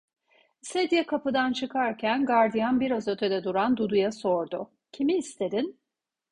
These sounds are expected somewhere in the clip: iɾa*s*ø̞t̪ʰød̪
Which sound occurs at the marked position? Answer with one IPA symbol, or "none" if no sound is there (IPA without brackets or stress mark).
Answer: z